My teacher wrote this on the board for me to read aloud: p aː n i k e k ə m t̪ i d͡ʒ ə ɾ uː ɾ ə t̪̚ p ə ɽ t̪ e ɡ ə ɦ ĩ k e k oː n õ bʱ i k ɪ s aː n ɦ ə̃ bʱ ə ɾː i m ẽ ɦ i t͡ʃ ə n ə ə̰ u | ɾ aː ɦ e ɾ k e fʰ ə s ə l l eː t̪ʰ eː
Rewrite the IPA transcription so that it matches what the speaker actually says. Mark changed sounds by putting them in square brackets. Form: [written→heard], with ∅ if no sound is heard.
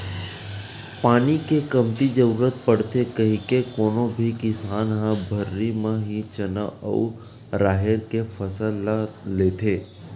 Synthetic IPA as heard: p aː n i k e k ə m t̪ i d͡ʒ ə ɾ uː ɾ ə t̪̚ p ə ɽ t̪ e [ɡ→k] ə ɦ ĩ k e k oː n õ bʱ i k ɪ s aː n ɦ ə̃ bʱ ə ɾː i m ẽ ɦ i t͡ʃ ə n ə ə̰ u | ɾ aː ɦ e ɾ k e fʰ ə s ə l l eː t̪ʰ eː